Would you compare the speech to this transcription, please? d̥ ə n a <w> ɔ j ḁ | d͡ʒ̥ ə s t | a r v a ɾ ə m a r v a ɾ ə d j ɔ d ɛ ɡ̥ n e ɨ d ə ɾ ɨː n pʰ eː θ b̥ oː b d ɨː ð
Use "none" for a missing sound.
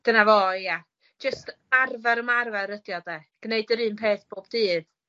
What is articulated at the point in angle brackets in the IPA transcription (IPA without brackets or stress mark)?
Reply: v